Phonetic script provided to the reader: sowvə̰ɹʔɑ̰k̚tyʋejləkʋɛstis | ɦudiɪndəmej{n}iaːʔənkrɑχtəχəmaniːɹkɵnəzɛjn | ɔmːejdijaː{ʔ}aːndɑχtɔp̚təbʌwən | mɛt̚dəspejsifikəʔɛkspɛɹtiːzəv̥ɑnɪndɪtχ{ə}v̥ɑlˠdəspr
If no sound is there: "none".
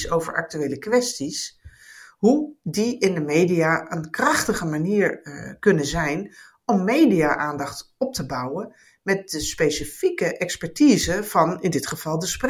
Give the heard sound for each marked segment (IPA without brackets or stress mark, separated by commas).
d, ʔ, ə